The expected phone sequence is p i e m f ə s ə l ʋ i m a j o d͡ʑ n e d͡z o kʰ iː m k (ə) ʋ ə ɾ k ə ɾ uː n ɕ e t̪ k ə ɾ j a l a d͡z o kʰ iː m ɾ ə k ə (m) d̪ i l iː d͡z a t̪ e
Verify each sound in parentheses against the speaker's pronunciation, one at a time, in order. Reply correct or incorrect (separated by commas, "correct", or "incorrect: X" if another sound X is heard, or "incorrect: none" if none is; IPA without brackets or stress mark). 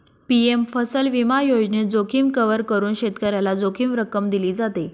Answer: correct, correct